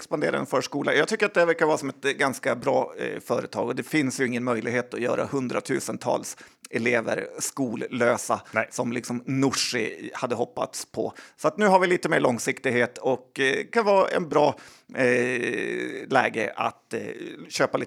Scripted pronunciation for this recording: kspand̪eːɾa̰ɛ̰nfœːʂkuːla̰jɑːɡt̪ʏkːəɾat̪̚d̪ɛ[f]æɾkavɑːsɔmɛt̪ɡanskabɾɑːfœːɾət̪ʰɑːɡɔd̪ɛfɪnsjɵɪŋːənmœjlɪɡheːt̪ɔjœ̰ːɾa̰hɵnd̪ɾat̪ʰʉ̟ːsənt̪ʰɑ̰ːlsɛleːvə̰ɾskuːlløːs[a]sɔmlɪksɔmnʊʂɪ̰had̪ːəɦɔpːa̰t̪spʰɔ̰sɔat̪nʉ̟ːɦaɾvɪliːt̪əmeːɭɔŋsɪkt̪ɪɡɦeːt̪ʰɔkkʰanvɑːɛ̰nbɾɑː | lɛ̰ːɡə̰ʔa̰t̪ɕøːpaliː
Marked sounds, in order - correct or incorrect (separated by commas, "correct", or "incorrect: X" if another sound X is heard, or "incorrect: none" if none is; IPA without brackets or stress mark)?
incorrect: v, correct